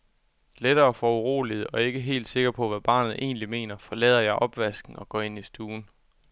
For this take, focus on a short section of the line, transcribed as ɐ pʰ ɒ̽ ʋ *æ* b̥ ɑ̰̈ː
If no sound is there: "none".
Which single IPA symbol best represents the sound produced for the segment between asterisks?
æ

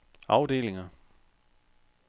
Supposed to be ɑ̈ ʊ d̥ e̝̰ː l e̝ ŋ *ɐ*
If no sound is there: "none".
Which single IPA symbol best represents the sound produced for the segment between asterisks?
ɐ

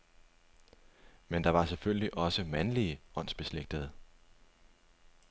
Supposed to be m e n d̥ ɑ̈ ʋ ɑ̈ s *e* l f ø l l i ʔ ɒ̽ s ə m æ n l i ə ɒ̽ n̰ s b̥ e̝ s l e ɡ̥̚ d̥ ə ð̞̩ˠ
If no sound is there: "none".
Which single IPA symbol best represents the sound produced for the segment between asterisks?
e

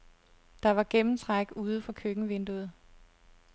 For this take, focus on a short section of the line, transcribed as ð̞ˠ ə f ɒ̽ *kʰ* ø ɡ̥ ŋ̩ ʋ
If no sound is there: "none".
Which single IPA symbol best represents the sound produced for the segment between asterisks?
kʰ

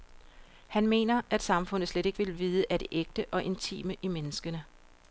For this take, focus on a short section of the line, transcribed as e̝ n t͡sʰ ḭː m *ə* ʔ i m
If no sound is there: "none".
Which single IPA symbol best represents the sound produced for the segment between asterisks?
ə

